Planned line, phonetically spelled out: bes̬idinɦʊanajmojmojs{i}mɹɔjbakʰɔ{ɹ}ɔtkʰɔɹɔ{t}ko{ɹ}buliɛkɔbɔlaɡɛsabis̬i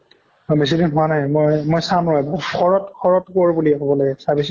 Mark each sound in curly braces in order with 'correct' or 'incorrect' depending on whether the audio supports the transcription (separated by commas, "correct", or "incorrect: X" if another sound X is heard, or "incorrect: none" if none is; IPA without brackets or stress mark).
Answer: incorrect: a, correct, correct, correct